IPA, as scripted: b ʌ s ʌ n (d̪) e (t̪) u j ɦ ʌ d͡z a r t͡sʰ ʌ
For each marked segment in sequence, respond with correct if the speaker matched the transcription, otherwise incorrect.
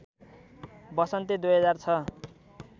incorrect, incorrect

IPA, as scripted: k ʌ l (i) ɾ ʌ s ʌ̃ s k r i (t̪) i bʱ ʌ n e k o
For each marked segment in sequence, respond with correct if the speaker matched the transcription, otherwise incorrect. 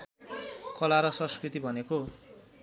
incorrect, correct

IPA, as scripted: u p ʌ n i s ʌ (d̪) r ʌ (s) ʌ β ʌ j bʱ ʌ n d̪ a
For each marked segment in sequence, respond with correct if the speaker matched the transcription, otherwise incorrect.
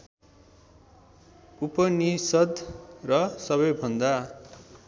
correct, correct

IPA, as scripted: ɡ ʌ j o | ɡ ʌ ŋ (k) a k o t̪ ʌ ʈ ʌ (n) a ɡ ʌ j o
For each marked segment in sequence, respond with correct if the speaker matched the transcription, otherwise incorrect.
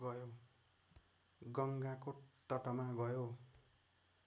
incorrect, incorrect

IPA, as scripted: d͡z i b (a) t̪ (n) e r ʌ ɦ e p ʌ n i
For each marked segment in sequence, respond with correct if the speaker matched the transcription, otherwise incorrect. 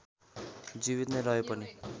incorrect, correct

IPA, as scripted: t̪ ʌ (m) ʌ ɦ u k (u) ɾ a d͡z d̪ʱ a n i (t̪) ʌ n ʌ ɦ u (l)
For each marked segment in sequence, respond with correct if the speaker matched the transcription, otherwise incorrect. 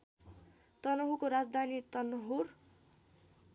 incorrect, incorrect, correct, incorrect

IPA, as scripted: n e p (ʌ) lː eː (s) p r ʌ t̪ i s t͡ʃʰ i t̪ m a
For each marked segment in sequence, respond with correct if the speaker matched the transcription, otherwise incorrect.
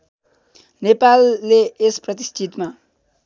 incorrect, correct

